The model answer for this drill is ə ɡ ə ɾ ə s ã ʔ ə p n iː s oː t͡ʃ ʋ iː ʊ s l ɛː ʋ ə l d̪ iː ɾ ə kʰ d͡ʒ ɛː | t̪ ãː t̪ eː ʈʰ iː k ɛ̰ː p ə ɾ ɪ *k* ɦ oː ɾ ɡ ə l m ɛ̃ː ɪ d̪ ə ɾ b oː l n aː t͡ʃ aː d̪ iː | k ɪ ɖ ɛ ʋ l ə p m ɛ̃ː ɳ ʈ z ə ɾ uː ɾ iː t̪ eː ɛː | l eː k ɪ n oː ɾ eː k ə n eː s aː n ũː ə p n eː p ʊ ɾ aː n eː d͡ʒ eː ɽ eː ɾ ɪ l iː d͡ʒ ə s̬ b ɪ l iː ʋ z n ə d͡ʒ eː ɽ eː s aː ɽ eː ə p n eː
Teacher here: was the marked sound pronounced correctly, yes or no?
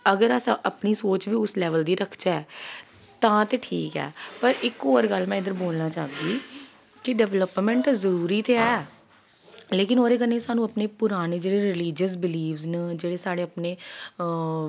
yes